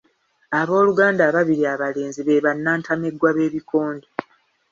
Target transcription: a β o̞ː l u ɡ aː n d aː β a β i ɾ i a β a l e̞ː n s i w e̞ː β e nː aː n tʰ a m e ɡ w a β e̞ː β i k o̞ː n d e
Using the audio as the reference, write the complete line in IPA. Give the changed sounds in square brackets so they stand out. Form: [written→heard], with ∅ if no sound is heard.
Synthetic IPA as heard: a β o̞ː l u ɡ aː n d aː β a β i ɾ i a β a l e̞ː n [s→z] i [w→β] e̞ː β [e→a] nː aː n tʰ a m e ɡ w a β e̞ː β i k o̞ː n d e